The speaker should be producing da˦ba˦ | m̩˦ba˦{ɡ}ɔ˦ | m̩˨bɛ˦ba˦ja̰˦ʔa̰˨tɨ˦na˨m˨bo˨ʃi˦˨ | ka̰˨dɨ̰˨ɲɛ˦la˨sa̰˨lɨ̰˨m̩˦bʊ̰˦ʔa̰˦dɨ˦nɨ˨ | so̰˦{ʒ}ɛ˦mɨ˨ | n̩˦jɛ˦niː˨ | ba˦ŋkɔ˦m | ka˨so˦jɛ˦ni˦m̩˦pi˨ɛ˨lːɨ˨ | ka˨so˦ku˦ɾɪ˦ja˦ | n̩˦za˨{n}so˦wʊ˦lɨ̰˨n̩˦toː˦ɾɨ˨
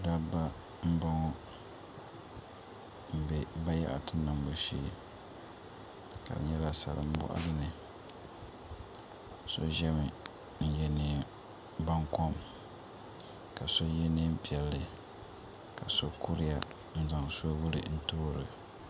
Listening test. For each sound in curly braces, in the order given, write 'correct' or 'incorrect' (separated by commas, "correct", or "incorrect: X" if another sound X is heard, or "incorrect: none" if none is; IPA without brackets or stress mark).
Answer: incorrect: ŋ, correct, incorrect: ŋ